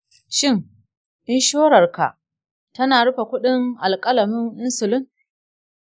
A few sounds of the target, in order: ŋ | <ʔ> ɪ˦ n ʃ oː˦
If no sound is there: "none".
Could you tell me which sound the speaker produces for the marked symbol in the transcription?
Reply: ʔ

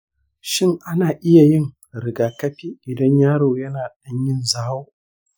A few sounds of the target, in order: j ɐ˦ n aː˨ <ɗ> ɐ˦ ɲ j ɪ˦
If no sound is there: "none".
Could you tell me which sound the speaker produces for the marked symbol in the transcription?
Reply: ɗ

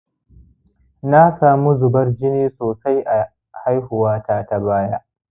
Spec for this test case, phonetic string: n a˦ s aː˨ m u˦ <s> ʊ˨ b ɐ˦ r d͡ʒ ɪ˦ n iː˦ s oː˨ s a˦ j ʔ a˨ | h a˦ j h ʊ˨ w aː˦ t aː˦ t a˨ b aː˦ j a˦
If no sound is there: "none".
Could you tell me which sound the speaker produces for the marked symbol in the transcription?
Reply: z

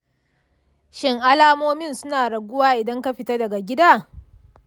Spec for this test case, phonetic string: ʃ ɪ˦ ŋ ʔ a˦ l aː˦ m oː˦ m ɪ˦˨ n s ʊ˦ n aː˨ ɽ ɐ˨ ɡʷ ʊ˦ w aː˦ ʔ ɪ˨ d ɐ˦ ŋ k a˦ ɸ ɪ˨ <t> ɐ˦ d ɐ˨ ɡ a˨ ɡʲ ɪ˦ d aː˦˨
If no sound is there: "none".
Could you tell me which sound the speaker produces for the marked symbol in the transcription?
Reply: t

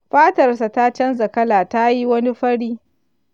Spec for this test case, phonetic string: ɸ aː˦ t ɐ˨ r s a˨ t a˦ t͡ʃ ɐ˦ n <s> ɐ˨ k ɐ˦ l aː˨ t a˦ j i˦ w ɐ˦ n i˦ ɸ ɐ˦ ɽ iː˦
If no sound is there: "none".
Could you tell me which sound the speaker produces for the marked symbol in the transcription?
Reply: z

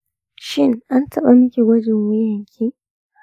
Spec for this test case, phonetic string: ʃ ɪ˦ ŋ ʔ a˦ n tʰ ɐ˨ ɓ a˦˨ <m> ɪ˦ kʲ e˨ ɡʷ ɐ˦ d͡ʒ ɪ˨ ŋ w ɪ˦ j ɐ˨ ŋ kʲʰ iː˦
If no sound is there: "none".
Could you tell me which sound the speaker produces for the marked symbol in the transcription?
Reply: m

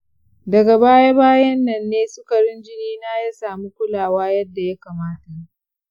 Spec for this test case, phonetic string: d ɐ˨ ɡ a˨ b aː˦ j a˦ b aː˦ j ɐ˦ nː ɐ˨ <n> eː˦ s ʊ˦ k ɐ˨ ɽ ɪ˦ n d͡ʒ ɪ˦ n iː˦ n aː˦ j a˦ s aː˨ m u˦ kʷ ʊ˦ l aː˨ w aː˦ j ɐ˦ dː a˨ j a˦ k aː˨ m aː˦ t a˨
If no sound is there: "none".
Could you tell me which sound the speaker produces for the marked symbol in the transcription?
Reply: nː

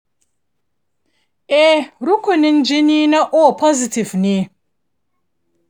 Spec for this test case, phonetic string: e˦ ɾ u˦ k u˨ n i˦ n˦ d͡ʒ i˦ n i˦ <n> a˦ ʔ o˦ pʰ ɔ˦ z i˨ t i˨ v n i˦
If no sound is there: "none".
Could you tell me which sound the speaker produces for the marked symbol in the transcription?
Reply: n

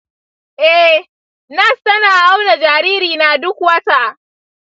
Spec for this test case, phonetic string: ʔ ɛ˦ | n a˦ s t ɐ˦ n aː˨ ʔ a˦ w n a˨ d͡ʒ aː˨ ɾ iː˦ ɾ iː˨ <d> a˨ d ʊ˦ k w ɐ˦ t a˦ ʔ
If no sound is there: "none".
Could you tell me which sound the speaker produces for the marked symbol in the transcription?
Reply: n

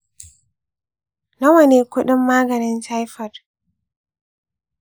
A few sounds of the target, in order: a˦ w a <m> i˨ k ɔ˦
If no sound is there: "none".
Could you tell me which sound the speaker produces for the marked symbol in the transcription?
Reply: n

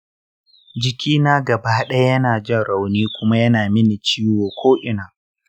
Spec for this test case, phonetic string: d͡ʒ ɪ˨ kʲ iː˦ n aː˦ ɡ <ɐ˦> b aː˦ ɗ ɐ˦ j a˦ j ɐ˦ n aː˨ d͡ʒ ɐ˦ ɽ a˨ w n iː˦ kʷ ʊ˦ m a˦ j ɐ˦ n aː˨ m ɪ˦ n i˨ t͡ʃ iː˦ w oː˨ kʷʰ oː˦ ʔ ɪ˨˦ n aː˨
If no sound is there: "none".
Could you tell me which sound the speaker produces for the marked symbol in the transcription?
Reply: ɐ˨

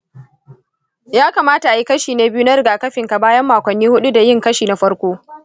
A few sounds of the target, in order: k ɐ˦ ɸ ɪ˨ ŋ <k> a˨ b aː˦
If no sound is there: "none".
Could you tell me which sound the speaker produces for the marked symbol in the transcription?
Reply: k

